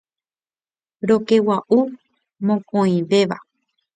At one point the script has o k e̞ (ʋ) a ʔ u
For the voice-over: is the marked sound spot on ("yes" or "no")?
no